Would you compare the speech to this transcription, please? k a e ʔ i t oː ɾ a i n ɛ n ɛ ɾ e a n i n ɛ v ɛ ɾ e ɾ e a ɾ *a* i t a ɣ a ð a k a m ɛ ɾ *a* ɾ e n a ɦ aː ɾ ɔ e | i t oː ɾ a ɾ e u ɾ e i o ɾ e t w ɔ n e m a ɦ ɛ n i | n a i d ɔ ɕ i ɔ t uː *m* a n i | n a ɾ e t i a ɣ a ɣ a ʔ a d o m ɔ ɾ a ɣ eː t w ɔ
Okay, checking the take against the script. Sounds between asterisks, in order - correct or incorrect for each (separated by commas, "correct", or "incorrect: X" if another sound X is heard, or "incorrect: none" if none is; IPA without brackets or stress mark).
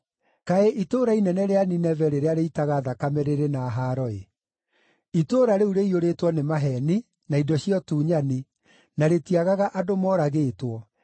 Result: incorrect: e, incorrect: e, incorrect: ɲ